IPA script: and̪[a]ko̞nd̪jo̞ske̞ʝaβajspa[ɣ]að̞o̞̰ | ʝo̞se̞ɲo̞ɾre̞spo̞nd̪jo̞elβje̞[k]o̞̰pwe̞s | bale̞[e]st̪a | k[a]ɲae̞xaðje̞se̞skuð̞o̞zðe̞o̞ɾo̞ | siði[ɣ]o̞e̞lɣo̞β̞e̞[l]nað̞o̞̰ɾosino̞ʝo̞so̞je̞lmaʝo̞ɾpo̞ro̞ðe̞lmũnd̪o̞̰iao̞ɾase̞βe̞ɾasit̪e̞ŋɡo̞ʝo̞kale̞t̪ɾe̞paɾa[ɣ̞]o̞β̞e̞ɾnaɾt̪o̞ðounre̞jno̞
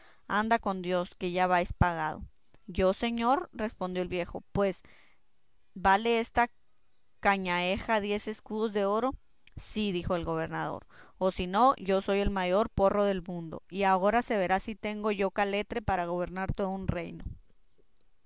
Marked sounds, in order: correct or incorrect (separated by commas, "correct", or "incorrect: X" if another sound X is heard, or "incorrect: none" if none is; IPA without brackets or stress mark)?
correct, correct, incorrect: x, correct, correct, incorrect: x, incorrect: ɾ, correct